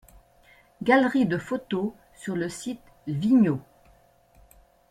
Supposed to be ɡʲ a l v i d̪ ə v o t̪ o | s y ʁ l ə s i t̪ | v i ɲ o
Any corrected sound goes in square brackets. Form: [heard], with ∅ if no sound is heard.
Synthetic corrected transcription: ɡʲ a l [ʁ] i d̪ ə [f] o t̪ o | s y ʁ l ə s i t̪ | v i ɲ o